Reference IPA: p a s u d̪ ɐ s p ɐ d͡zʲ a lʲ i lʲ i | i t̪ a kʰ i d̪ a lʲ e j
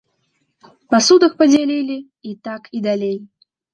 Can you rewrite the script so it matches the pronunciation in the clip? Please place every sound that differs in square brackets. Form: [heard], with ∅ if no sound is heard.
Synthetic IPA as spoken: p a s u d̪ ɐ [x] p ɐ d͡zʲ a lʲ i lʲ i | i t̪ a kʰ i d̪ a lʲ e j